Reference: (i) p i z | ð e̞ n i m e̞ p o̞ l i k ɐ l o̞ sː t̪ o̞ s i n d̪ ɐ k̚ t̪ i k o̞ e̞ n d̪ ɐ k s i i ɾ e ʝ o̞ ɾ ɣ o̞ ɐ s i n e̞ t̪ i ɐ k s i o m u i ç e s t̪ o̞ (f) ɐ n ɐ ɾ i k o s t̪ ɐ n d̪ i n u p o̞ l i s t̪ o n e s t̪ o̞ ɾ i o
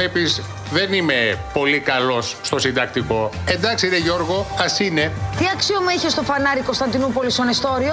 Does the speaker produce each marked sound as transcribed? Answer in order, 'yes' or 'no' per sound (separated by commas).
no, yes